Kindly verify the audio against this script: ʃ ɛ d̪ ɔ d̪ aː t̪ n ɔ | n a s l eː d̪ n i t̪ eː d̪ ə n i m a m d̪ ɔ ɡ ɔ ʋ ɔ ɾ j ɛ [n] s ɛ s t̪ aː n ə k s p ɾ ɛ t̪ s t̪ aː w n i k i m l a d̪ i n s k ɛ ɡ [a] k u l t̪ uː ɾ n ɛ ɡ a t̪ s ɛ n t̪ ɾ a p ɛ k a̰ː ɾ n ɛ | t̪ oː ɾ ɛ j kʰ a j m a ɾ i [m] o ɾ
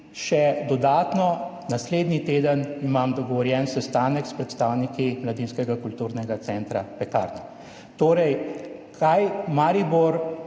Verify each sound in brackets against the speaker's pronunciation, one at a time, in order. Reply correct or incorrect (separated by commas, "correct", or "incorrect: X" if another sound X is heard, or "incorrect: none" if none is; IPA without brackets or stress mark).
correct, correct, incorrect: b